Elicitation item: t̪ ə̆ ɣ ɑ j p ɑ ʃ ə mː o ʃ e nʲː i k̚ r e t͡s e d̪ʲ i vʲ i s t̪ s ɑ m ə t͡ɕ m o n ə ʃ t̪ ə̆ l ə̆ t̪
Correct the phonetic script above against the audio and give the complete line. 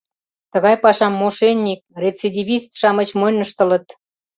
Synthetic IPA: t̪ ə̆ ɣ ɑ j p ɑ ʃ ɑ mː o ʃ e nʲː i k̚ r e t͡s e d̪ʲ i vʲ i s t̪ ʃ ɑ m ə t͡ɕ m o n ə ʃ t̪ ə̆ l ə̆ t̪